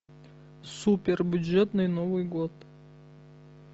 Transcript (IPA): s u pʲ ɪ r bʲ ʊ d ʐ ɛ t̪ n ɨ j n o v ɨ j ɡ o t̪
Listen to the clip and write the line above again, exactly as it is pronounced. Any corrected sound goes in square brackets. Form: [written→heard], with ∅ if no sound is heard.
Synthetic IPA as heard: s u pʲ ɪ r bʲ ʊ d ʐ ɛ t̪ n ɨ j n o v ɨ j ɡ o t̪